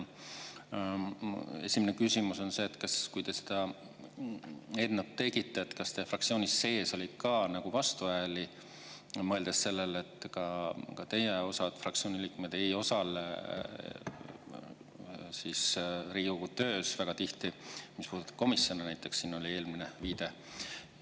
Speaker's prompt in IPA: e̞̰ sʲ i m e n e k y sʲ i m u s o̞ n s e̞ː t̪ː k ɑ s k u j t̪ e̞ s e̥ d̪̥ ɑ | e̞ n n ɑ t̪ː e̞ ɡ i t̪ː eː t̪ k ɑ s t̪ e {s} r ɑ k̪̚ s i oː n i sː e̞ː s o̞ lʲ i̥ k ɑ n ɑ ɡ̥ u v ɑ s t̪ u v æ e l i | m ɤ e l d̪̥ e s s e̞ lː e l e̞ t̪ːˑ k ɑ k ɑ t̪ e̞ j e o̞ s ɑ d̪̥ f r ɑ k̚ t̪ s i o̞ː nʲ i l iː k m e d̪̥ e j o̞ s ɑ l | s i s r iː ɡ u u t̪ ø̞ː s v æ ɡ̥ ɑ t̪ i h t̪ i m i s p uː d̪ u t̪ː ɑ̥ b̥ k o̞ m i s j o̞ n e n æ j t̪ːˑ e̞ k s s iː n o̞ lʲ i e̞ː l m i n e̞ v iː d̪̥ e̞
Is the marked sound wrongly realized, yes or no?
yes